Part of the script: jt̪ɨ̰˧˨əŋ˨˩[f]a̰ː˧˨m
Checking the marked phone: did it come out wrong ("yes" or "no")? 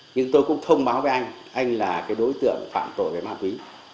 no